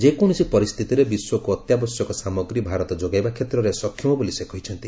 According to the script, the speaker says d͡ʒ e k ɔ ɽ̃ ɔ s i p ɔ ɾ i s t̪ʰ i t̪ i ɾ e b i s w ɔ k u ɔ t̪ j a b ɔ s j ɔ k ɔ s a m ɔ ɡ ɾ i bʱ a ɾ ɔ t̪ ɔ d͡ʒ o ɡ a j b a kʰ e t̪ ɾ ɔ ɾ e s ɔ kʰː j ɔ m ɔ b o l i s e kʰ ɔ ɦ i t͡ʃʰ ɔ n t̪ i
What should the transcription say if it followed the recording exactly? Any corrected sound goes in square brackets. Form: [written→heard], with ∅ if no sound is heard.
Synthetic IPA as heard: d͡ʒ e k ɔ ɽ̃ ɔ s i p ɔ ɾ i s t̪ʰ i t̪ i ɾ e b i s w ɔ k u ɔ t̪ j a b ɔ s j ɔ k ɔ s a m ɔ ɡ ɾ i bʱ a ɾ ɔ t̪ ɔ d͡ʒ o ɡ a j b a kʰ e t̪ ɾ ɔ ɾ e s ɔ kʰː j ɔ m ɔ b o l i s e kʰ ɔ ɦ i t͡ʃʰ ɔ n t̪ i